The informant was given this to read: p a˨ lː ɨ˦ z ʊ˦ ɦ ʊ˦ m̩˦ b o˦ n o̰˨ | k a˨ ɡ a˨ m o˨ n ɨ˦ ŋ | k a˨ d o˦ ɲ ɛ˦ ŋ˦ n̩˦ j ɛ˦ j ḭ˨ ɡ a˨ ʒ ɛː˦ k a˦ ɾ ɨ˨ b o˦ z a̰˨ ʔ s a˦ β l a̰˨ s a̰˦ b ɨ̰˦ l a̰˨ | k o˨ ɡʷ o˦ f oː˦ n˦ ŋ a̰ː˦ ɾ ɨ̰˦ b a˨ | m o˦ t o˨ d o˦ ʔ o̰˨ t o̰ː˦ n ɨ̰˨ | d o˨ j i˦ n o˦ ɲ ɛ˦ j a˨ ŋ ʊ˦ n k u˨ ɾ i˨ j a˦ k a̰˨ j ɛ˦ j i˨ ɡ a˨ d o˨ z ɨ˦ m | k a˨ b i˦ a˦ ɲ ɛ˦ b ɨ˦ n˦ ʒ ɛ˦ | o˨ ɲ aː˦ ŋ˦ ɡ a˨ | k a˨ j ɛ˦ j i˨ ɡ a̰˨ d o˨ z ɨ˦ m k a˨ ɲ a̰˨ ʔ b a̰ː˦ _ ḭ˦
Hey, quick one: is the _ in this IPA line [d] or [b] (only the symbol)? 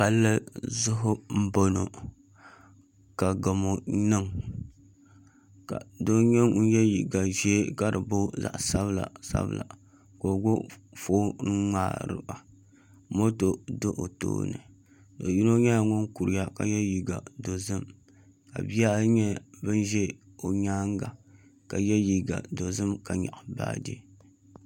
d